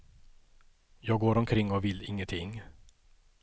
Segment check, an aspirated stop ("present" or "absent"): present